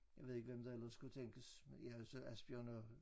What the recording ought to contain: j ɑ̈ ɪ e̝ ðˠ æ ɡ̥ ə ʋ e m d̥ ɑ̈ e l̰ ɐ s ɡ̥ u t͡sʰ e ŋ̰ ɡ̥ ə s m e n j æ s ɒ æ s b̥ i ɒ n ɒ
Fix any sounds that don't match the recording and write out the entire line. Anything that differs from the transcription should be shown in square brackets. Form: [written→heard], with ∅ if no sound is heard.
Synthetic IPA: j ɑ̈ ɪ e̝ ðˠ [æ→e] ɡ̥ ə ʋ e m d̥ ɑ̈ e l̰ ɐ s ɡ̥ u t͡sʰ e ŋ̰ ɡ̥ ə s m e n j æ s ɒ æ s b̥ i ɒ n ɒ